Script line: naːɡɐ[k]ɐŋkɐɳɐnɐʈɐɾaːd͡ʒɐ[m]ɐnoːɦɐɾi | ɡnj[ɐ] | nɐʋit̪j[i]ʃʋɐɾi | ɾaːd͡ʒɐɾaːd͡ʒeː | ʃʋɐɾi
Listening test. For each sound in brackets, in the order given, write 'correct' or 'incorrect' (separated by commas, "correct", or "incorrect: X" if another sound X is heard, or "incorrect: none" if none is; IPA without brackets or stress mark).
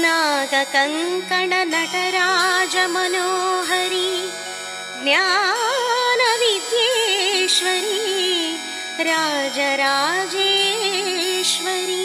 correct, correct, incorrect: a, incorrect: e